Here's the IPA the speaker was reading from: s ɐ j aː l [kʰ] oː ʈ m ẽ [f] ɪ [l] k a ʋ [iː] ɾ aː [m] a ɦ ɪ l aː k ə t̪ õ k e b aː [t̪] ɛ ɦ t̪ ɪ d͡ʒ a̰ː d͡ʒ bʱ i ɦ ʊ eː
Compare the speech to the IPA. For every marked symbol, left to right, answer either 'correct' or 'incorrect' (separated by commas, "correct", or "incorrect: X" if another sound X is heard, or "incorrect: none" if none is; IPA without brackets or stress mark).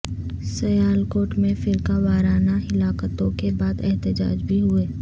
incorrect: k, correct, incorrect: ɾ, incorrect: aː, incorrect: n, incorrect: d̪